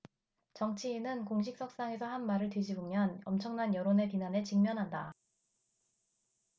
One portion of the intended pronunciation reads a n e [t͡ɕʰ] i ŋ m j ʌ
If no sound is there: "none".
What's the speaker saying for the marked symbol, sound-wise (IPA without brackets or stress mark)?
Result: t͡ɕ